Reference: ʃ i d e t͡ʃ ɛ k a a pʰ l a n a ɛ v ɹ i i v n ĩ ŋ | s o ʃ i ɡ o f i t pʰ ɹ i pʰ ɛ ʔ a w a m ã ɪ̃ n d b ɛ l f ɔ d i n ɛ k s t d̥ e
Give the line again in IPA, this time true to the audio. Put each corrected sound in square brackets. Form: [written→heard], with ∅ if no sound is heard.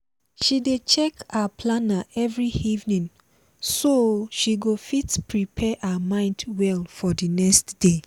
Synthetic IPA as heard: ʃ i d e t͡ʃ ɛ k a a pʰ l a n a ɛ v ɹ i i v n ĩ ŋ | s o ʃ i ɡ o f i t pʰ ɹ i pʰ ɛ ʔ a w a m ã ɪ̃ n d [b→w] ɛ l f ɔ d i n ɛ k s t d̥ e